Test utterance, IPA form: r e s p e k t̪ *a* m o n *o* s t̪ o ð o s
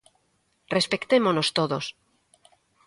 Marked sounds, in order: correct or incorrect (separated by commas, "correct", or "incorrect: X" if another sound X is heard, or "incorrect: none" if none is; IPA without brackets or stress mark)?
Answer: incorrect: e, correct